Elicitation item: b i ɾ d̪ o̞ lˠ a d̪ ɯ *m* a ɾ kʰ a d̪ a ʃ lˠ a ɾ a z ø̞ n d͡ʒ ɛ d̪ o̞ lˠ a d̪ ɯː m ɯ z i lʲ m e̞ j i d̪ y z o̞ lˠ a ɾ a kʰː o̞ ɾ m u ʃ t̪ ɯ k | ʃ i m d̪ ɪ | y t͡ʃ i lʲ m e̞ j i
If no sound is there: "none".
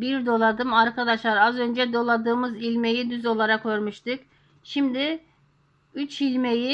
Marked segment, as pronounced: m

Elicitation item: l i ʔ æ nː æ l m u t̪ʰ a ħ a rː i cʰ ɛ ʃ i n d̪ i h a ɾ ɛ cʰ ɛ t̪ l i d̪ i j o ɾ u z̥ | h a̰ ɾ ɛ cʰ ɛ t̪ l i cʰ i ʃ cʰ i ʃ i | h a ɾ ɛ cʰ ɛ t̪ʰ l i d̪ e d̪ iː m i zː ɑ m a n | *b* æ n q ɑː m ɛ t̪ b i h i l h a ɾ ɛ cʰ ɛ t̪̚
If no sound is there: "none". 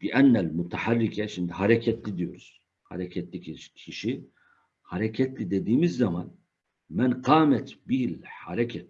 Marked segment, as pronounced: m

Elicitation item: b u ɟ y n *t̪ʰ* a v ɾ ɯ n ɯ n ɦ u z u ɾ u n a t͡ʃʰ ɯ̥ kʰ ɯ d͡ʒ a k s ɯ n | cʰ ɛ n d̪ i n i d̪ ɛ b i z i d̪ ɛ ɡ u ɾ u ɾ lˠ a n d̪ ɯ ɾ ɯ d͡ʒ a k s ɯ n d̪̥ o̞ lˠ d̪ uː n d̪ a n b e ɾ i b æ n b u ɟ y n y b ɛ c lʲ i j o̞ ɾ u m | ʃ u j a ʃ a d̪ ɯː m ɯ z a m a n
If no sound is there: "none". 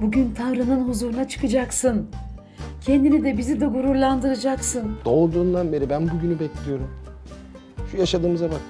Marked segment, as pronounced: t̪ʰ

